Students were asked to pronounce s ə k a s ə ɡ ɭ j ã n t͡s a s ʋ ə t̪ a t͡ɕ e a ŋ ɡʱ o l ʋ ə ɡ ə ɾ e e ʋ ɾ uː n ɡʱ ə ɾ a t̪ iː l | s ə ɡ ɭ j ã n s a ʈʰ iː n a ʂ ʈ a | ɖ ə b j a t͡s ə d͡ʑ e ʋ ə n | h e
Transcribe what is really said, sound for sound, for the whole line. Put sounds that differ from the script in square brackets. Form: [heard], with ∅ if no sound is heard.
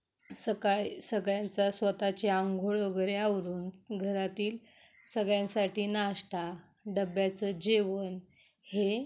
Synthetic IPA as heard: s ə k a s ə ɡ ɭ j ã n t͡s a s ʋ ə t̪ a t͡ɕ e a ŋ ɡʱ o [ɭ] ʋ ə ɡ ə ɾ e [a] ʋ ɾ uː n ɡʱ ə ɾ a t̪ iː l | s ə ɡ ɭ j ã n s a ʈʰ iː n a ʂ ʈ a | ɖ ə b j a t͡s ə d͡ʑ e ʋ ə n | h e